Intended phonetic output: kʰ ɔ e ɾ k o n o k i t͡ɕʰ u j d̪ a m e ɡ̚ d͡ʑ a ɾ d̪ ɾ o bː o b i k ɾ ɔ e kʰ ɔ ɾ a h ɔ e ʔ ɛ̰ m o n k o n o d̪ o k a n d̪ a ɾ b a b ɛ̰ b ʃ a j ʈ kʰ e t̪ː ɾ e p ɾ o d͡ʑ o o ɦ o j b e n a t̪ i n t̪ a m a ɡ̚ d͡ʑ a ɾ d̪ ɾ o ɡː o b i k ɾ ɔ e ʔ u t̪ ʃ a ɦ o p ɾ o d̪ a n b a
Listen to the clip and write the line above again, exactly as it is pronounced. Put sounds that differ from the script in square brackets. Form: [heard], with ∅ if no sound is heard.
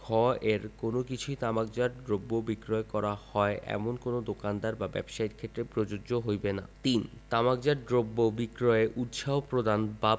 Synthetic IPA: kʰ ɔ e ɾ k o n o k i t͡ɕʰ u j [t̪] a m [a] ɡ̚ d͡ʑ a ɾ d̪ ɾ o bː o b i k ɾ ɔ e [k] ɔ ɾ a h ɔ e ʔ ɛ̰ m o n k o n o d̪ o k a n d̪ a ɾ b a b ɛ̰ b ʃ a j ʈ kʰ e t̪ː ɾ e p ɾ o d͡ʑ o o ɦ o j b e n a t̪ i n t̪ a m a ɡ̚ d͡ʑ a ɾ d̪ ɾ o [bː] o b i k ɾ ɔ e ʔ u t̪ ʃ a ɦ o p ɾ o d̪ a n b a